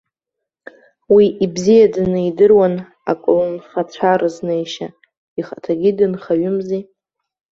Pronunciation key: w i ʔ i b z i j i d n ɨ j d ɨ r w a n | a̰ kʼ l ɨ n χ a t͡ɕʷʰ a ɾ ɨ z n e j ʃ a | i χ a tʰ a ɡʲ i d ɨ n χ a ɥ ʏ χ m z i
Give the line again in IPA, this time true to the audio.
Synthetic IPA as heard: w i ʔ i b z i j a d n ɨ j d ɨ r w a n | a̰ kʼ l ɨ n χ a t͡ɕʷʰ a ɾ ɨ z n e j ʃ a | i χ a tʰ a ɡʲ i d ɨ n χ a ɥ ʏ m z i